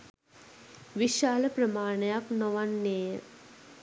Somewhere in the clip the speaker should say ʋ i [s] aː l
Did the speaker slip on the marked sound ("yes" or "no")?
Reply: yes